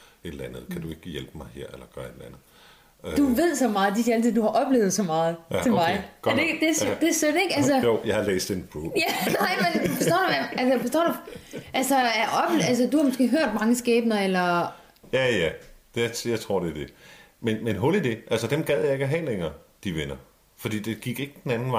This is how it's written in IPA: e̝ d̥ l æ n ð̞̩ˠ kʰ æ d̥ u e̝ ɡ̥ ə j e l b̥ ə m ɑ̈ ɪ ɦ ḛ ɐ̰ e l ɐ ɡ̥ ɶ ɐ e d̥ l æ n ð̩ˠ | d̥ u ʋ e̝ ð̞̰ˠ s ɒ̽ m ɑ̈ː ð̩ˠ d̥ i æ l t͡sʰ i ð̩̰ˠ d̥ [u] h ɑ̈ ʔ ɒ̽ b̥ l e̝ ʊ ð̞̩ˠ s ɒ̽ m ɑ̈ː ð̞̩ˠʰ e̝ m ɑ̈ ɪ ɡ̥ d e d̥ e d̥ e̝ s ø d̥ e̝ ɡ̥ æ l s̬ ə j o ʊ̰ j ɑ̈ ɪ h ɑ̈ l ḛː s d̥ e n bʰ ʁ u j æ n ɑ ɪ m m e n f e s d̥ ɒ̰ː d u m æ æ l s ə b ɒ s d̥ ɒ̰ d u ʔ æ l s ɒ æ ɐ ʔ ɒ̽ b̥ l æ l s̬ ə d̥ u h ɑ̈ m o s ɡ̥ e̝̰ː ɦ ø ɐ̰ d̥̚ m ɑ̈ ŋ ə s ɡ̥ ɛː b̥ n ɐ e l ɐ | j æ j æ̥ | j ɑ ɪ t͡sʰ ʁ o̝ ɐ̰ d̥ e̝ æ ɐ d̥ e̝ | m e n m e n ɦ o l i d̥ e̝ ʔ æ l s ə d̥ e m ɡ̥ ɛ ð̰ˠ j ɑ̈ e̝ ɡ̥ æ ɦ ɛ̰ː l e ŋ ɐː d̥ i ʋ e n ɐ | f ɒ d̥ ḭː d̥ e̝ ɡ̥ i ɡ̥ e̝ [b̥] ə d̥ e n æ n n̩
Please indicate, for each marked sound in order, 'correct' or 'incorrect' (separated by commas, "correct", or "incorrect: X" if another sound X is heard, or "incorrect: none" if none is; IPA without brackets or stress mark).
correct, incorrect: ɡ̥